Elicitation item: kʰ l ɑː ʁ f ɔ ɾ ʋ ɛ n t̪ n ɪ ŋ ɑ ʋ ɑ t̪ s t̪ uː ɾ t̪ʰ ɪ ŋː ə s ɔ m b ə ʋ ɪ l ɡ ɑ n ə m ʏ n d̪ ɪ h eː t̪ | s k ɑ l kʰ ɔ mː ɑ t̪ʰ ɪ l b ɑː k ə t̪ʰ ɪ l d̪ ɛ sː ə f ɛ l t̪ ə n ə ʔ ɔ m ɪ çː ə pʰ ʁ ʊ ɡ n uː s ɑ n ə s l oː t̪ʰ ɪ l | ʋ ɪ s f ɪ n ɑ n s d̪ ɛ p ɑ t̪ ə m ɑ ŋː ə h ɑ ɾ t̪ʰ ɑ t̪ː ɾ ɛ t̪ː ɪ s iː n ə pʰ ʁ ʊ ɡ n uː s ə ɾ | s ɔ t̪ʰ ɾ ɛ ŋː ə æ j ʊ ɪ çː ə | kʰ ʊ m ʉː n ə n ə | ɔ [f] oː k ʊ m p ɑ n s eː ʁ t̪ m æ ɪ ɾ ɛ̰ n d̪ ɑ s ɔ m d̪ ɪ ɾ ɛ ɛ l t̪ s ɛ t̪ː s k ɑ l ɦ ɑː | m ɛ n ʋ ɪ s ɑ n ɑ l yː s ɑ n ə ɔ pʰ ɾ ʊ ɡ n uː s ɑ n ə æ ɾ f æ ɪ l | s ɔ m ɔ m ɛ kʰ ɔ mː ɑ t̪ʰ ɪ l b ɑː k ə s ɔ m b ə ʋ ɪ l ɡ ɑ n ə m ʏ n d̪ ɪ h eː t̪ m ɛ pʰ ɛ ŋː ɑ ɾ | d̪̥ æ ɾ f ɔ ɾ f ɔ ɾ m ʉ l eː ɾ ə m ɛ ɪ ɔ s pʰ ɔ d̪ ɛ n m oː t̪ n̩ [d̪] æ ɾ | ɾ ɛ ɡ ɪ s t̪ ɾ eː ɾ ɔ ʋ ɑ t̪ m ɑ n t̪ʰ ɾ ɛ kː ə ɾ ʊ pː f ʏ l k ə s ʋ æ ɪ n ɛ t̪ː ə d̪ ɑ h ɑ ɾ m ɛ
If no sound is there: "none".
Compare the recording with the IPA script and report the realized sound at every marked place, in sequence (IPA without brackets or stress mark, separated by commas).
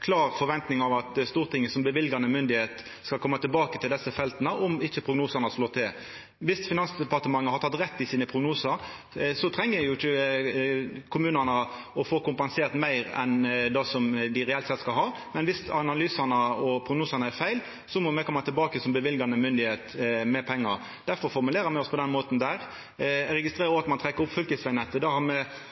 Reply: f, d̪